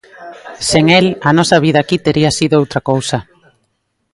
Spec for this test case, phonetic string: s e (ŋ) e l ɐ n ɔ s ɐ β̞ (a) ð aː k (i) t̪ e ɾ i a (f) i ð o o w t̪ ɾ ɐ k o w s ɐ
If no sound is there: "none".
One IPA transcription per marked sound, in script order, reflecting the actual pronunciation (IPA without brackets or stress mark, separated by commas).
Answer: ŋ, i, i, s